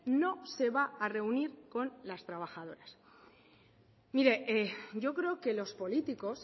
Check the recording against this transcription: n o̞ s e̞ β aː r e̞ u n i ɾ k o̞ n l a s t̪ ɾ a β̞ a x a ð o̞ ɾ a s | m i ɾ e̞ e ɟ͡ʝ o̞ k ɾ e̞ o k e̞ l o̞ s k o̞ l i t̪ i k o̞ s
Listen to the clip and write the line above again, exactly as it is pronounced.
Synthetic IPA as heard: n o̞ s e̞ β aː r e̞ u n i ɾ k o̞ n l a s t̪ ɾ a β̞ a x a ð o̞ ɾ a s | m i ɾ e̞ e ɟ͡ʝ o̞ k ɾ e̞ o k e̞ l o̞ s p o̞ l i t̪ i k o̞ s

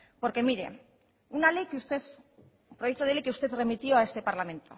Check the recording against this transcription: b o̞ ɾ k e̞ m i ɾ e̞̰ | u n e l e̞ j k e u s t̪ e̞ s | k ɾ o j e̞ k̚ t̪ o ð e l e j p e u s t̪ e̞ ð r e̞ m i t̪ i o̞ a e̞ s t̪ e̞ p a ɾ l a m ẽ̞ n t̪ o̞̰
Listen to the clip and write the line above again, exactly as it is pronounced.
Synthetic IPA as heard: p o̞ ɾ k e̞ m i ɾ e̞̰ | u n a l e̞ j k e u s t̪ e̞ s | p ɾ o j e̞ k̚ t̪ o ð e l e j k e u s t̪ e̞ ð r e̞ m i t̪ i o̞ a e̞ s t̪ e̞ p a ɾ l a m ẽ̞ n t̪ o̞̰

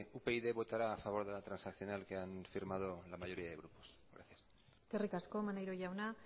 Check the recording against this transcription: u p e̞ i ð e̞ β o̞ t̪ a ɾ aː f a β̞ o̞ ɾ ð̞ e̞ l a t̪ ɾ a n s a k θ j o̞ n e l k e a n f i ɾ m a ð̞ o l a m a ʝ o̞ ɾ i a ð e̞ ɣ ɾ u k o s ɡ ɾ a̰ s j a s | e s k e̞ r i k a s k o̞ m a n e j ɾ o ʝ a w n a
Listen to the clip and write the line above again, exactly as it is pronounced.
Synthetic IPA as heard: u p e̞ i ð e̞ β o̞ t̪ a ɾ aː f a β̞ o̞ ɾ ð̞ e̞ l a t̪ ɾ a n s a k θ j o̞ n a l k e a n f i ɾ m a ð̞ o l a m a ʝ o̞ ɾ i a ð e̞ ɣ ɾ u p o s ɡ ɾ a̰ θ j a s | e s k e̞ r i k a s k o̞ m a n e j ɾ o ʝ a w n a

